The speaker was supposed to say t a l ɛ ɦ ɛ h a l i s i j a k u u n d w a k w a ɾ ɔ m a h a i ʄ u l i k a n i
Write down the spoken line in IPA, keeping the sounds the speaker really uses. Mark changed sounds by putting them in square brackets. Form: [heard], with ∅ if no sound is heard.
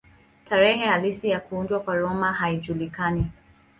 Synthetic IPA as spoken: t a [ɾ] ɛ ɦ ɛ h a l i s i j a k u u n d w a k w a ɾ ɔ m a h a i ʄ u l i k a n i